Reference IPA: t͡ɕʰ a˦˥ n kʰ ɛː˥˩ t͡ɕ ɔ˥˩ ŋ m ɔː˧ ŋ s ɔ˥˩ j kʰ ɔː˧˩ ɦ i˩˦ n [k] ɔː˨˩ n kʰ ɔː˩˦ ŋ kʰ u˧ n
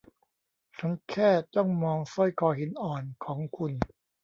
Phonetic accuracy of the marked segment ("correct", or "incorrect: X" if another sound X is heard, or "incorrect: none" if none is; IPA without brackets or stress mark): incorrect: ʔ